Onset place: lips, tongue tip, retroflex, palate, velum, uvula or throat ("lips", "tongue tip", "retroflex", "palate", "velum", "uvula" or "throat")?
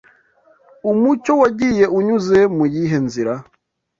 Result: lips